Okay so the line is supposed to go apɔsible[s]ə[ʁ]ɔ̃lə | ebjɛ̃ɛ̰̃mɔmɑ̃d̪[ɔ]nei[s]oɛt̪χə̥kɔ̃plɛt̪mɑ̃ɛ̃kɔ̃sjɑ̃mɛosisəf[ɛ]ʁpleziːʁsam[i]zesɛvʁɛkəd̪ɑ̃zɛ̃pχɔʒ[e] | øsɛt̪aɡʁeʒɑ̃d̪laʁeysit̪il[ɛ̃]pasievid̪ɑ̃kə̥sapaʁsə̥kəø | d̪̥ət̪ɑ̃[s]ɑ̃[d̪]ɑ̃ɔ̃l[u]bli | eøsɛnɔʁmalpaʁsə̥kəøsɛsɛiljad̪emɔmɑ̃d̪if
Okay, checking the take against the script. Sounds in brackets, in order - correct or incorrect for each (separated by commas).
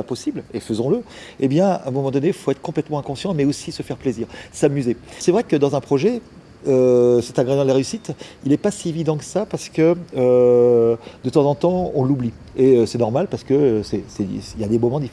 incorrect, incorrect, correct, incorrect, correct, incorrect, incorrect, incorrect, incorrect, incorrect, correct